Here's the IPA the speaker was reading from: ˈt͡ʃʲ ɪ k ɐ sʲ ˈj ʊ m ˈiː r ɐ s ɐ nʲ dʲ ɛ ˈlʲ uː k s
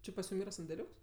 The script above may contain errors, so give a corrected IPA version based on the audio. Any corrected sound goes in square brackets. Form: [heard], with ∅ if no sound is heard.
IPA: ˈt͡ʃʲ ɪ [p] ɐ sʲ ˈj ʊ m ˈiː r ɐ s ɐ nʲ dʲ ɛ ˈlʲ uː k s